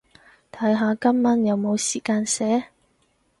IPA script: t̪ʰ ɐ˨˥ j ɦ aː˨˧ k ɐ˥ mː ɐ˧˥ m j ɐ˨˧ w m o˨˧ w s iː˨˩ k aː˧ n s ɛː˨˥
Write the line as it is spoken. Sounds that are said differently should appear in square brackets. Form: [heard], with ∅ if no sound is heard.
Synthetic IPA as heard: t̪ʰ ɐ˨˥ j ɦ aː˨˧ k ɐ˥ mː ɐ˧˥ [n] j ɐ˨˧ w m o˨˧ w s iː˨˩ k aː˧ n s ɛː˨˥